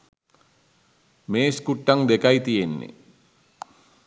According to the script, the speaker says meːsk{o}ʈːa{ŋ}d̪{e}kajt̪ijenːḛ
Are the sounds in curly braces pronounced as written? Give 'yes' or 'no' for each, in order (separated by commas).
no, yes, yes